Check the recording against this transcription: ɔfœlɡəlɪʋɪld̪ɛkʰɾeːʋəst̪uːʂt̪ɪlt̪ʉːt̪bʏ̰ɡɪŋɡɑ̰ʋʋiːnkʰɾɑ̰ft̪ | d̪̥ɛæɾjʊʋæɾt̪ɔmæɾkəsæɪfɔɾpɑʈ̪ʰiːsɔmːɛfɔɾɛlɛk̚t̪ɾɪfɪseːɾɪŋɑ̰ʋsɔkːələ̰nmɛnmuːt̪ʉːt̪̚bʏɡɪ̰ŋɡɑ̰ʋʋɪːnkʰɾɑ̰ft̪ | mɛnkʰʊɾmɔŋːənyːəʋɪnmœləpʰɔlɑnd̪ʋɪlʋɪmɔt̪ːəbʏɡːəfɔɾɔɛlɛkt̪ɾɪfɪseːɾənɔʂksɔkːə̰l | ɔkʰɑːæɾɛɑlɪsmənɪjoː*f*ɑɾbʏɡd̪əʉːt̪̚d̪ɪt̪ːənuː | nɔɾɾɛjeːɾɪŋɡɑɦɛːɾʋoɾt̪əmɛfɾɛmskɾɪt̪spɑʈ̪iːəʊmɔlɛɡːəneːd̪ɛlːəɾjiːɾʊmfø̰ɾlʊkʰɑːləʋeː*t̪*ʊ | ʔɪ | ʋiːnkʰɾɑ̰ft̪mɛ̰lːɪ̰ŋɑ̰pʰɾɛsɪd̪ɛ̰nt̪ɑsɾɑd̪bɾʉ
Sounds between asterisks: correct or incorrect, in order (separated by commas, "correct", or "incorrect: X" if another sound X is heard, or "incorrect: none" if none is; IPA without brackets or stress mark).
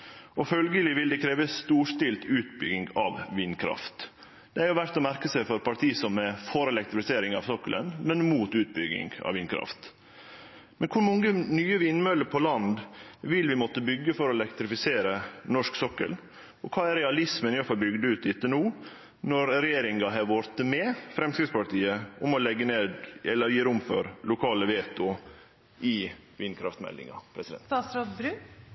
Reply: correct, correct